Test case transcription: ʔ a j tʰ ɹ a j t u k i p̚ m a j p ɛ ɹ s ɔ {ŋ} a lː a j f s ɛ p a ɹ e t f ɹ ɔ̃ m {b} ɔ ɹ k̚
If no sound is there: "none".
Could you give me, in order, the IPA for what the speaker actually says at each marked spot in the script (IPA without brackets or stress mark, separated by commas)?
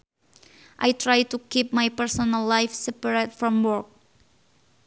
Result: n, w